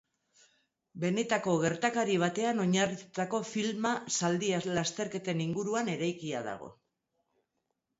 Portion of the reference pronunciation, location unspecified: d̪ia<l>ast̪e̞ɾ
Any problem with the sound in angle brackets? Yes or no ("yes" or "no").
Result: no